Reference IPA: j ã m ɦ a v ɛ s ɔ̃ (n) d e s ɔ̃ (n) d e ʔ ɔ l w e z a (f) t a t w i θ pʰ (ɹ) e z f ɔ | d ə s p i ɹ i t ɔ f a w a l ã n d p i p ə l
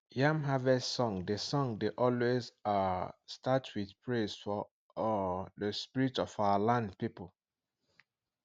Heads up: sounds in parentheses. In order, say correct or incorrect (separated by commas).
incorrect, incorrect, incorrect, correct